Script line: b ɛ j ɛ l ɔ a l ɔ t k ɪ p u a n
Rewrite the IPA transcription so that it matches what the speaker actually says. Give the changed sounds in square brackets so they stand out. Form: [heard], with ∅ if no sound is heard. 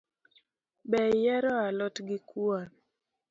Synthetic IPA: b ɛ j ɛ [ɾ] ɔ a l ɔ t [ɡ] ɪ [k] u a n